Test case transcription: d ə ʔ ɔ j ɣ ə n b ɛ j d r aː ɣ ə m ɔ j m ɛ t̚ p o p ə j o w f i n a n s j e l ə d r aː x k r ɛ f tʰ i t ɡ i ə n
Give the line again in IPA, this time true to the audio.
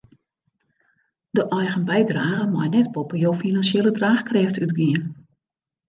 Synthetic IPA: d ə ʔ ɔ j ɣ ə n b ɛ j d r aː ɣ ə m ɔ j n ɛ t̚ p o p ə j o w f i n a n s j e l ə d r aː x k r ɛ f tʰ y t ɡ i ə n